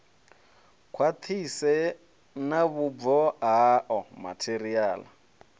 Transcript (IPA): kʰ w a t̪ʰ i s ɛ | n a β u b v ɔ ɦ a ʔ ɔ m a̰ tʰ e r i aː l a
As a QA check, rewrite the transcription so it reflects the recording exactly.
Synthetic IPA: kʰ w a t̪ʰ i s ɛ | n a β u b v ɔ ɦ a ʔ ɔ m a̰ tʰ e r i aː l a